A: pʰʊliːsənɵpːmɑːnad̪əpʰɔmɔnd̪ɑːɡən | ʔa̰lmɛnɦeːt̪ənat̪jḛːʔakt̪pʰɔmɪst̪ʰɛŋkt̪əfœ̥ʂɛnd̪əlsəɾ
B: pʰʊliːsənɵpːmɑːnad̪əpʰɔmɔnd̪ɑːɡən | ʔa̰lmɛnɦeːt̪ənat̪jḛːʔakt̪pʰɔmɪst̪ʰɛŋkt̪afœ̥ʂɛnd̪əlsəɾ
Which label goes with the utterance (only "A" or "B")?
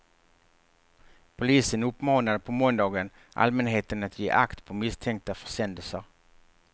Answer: B